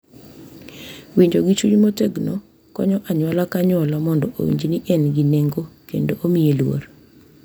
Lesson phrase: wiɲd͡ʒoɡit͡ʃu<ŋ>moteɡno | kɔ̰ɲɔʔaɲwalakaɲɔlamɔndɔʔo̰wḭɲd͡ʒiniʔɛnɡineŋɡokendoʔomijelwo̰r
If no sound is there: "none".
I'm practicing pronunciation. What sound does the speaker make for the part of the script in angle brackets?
ɲ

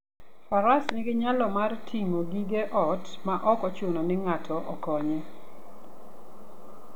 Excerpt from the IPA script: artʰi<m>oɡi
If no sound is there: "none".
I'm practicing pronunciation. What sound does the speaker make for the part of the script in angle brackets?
ŋ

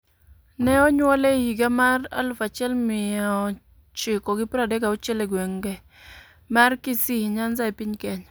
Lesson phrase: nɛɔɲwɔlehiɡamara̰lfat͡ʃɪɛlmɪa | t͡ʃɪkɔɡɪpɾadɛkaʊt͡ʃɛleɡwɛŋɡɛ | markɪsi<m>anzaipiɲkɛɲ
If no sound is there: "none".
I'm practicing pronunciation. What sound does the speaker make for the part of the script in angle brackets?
ɲ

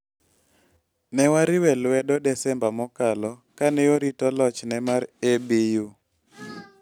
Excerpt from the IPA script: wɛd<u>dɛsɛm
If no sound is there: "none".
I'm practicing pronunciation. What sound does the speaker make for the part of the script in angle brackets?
ɔ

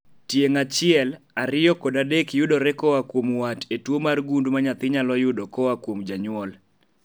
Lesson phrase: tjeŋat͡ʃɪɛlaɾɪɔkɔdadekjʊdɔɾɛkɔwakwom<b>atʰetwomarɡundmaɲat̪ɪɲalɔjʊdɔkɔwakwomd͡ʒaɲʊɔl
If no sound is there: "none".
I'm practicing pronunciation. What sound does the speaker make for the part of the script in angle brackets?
w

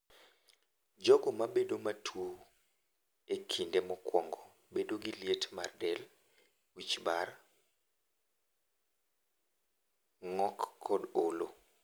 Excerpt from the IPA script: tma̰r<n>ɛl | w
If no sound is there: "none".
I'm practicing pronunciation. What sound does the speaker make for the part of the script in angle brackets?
d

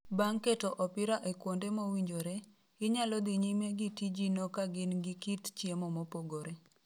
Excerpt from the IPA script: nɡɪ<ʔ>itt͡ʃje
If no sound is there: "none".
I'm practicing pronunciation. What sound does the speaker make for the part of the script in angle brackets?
k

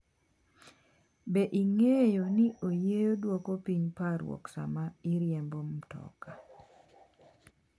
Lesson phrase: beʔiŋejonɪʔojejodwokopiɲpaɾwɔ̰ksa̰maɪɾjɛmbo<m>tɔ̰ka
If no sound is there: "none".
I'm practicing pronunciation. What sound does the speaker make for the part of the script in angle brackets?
m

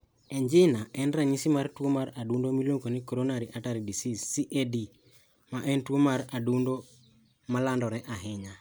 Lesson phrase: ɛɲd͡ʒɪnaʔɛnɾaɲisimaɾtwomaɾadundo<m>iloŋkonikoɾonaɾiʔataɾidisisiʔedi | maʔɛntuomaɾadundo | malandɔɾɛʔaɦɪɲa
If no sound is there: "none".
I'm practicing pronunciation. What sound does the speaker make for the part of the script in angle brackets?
m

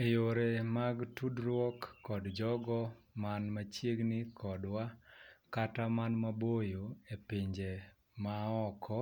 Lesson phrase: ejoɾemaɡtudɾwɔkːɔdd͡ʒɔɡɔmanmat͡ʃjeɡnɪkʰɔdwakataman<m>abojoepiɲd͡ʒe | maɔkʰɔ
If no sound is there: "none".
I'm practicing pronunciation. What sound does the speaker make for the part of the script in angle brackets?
m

